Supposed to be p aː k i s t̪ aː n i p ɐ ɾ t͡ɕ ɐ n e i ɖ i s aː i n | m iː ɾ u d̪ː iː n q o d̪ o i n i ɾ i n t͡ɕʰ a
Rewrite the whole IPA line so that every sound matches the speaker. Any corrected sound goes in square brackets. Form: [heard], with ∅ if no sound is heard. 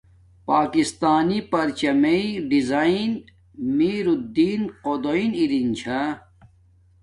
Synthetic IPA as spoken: p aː k i s t̪ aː n i p ɐ ɾ t͡ɕ ɐ [m] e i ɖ i [z] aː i n | m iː ɾ u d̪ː iː n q o d̪ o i n i ɾ i n t͡ɕʰ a

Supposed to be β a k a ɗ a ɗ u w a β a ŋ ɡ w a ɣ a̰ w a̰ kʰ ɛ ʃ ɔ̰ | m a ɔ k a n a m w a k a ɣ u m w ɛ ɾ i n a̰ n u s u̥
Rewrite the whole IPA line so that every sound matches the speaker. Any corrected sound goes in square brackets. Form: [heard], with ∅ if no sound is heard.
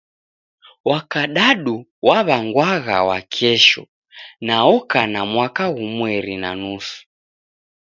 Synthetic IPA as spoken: [w] a k a ɗ a ɗ u w a β a ŋ ɡ w a ɣ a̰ w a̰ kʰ ɛ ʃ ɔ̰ | [n] a ɔ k a n a m w a k a ɣ u m w ɛ ɾ i n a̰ n u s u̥

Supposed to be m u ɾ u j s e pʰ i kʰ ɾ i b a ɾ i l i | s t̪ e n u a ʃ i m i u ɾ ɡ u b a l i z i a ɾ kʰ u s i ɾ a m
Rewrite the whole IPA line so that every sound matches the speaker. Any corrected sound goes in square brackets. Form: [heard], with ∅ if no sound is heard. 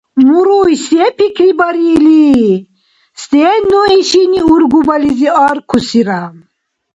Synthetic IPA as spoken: m u ɾ u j s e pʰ i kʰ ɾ i b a ɾ i l i | s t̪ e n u [i] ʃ i [n] i u ɾ ɡ u b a l i z i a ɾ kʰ u s i ɾ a m

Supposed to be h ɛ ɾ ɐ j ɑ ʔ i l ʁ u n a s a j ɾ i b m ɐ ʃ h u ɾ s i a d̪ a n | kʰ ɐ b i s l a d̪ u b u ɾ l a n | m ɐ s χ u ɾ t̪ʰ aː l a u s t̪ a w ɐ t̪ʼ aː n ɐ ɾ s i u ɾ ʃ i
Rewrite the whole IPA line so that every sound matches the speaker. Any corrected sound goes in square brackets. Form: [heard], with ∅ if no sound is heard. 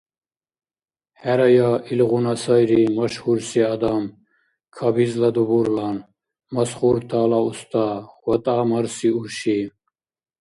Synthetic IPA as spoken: h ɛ ɾ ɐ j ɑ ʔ i l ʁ u n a s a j ɾ i [∅] m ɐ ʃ h u ɾ s i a d̪ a [m] | kʰ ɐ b i [z] l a d̪ u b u ɾ l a n | m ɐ s χ u ɾ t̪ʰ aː l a u s t̪ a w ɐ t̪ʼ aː [m] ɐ ɾ s i u ɾ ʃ i

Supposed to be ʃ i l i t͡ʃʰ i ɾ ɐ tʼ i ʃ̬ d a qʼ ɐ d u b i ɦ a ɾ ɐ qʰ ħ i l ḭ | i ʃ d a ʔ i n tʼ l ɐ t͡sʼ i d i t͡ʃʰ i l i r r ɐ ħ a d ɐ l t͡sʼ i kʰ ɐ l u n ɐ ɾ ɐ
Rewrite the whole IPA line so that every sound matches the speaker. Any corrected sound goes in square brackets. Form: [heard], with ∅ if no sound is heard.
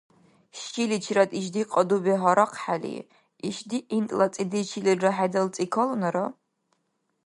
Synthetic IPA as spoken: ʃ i l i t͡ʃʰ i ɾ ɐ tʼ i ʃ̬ d [i] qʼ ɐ d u b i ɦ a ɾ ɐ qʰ ħ [a] l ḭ | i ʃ d [i] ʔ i n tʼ l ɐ t͡sʼ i d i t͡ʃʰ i l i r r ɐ ħ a d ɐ l t͡sʼ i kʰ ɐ l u n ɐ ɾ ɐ

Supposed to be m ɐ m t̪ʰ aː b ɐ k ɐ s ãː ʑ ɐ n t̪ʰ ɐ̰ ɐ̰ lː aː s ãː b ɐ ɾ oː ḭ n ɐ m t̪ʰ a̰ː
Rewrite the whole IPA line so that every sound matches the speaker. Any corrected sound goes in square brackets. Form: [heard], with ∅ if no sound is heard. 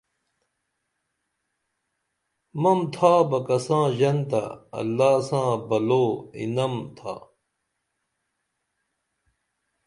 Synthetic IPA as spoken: m ɐ m t̪ʰ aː b ɐ k ɐ s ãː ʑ ɐ n [t̪] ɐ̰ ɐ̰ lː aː s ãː b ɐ [l] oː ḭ n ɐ m t̪ʰ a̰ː

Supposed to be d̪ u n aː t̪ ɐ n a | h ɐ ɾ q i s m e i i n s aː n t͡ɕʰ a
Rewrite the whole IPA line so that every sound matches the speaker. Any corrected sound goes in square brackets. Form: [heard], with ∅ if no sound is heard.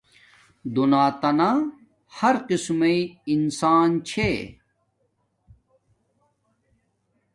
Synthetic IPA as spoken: d̪ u n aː t̪ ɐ n a | h ɐ ɾ q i s m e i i n s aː n t͡ɕʰ [e]

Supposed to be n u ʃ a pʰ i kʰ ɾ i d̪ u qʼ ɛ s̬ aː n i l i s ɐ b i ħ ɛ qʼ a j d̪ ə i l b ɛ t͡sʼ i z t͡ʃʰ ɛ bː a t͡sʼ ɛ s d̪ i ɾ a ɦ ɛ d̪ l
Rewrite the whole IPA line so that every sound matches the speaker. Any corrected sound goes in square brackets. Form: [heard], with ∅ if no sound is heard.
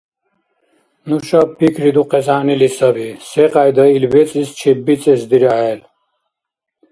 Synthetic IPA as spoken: n u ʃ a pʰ i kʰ ɾ i d̪ u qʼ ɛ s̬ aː n i l i s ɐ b i [s] ɛ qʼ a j d̪ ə i l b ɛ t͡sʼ i [s] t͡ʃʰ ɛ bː [i] t͡sʼ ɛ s d̪ i ɾ a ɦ ɛ [∅] l

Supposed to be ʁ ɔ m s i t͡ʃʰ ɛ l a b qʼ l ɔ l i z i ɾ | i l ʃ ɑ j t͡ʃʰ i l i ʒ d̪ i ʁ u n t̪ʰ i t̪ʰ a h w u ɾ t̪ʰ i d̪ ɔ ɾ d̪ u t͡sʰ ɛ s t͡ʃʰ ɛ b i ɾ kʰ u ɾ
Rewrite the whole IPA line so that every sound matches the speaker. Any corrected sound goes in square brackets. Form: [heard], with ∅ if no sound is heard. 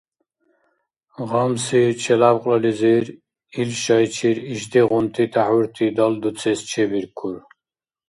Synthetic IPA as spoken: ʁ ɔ m s i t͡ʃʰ ɛ l a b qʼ l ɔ l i z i ɾ | i l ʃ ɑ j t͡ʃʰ i [ɾ] i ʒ d̪ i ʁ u n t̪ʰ i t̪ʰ a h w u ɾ t̪ʰ i d̪ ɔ [l] d̪ u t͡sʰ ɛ s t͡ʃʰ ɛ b i ɾ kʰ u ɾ

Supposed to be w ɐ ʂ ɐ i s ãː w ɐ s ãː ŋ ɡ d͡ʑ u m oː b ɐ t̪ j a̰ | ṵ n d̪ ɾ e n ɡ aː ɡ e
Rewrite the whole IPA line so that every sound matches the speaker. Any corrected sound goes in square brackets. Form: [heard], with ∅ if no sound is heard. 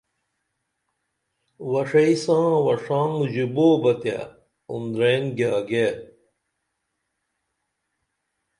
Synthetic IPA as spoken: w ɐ ʂ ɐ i s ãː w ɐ [ʂ] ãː ŋ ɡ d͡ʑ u [b] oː b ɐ t̪ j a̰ | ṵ n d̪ ɾ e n ɡ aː ɡ e

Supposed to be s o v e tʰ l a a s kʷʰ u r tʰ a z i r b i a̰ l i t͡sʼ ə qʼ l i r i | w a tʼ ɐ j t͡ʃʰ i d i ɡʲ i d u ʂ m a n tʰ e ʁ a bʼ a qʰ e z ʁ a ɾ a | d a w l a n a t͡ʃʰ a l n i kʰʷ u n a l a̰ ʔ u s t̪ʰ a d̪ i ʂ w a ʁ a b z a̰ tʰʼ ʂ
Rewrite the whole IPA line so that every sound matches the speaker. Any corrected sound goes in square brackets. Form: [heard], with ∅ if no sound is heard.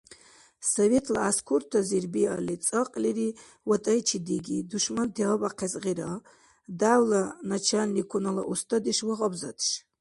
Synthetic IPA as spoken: s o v e tʰ l a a s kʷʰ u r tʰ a z i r b i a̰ l i t͡sʼ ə qʼ l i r i | w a tʼ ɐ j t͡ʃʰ i d i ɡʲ i d u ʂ m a n tʰ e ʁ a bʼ a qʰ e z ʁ [i] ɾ a | d a w l a n a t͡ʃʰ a l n i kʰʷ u n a l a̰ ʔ u s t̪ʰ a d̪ i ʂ w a ʁ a b z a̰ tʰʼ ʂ

